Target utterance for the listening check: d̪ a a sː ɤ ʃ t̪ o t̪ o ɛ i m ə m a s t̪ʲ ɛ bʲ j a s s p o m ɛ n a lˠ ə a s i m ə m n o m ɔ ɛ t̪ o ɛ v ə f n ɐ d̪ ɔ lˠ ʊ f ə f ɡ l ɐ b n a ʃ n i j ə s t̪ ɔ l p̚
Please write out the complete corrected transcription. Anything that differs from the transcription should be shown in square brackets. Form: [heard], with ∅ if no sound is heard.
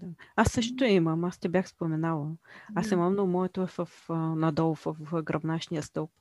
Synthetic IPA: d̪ a a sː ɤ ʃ t̪ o t̪ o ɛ i m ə m a s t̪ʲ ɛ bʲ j a [x] s p o m ɛ n a lˠ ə a s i m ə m n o m ɔ ɛ t̪ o ɛ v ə f n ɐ d̪ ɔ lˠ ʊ f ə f ɡ [ɾ] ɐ b n a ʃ n i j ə s t̪ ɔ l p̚